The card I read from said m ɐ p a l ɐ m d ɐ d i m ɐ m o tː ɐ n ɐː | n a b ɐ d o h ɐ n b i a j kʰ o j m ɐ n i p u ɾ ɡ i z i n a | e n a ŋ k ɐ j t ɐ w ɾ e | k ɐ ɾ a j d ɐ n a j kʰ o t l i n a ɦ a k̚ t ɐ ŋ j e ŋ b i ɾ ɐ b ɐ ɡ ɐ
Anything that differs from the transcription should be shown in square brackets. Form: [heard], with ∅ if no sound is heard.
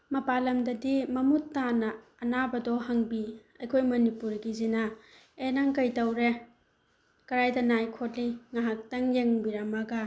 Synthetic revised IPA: m ɐ p a l ɐ m d ɐ d i m ɐ m [u] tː [a] n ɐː | n a b ɐ d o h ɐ [ŋ] b i [ɐ] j kʰ o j m ɐ n i p u ɾ ɡ i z i n a | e n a ŋ k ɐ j t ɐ w ɾ e | k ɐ ɾ a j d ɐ n a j kʰ o t l i [ŋ] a ɦ a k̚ t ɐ ŋ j e ŋ b i ɾ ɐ [m] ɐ ɡ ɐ